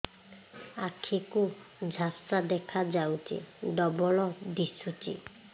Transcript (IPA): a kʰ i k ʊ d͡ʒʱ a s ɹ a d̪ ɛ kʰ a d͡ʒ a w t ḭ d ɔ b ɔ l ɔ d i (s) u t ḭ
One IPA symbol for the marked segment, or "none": s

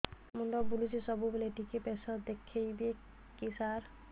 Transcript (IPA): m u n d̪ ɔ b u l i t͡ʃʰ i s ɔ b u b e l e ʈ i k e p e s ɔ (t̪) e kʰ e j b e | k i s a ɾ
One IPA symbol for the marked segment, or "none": d̪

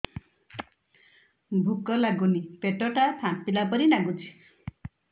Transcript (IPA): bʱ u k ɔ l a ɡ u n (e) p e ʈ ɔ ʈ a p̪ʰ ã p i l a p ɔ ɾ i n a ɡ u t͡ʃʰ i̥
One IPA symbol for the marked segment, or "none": i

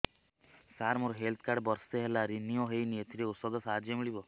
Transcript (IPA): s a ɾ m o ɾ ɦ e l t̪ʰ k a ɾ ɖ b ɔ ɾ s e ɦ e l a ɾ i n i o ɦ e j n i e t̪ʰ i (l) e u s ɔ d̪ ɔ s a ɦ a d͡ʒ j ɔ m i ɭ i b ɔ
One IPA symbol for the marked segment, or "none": ɾ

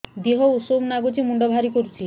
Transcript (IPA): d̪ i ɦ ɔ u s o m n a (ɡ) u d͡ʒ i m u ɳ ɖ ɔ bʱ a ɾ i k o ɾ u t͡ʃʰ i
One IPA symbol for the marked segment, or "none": ɡ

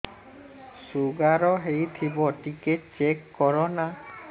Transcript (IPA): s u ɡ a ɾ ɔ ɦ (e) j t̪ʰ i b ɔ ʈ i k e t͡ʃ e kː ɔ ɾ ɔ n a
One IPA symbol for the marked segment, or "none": e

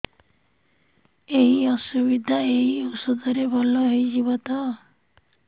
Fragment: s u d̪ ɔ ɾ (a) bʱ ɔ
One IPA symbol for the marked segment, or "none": e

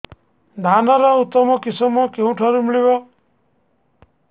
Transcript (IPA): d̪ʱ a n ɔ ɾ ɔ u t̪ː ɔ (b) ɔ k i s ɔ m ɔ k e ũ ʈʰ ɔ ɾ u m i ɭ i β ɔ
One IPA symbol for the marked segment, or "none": m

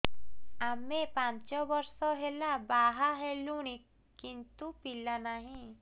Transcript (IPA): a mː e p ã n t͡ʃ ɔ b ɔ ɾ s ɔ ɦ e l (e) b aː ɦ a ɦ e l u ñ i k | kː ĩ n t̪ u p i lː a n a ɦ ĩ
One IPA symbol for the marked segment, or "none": a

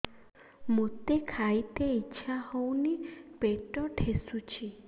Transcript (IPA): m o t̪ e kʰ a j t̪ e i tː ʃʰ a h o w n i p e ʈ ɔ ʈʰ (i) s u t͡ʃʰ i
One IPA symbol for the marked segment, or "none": e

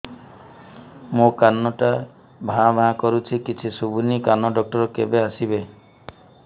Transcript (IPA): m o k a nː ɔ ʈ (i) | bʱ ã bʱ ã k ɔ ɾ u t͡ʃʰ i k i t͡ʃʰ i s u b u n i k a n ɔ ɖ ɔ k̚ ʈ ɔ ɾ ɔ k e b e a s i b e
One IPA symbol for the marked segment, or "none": a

